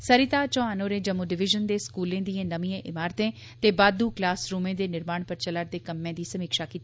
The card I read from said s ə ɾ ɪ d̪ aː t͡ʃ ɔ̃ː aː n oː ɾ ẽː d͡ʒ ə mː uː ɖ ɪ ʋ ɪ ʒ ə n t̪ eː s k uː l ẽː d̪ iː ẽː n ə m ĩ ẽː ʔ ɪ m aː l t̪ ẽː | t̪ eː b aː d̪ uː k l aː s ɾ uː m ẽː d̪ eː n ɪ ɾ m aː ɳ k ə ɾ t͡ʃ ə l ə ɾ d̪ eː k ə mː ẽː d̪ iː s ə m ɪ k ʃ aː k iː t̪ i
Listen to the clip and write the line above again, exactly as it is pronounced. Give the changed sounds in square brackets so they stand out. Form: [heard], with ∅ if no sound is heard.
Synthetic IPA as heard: s ə ɾ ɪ [t̪] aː t͡ʃ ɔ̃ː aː n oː ɾ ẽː d͡ʒ ə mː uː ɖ ɪ ʋ ɪ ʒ ə n [d̪] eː s k uː l ẽː d̪ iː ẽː n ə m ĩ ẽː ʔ ɪ m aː [ɾ] t̪ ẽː | t̪ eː b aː d̪ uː k l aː s ɾ uː m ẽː d̪ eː n ɪ ɾ m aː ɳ [p] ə ɾ t͡ʃ ə l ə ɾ d̪ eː k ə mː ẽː d̪ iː s ə m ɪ k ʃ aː k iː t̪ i